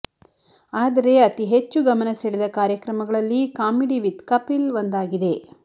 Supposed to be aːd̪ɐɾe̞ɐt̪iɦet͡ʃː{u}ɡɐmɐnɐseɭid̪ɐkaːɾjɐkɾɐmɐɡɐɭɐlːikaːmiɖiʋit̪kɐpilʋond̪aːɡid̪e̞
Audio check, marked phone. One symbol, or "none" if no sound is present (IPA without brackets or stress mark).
u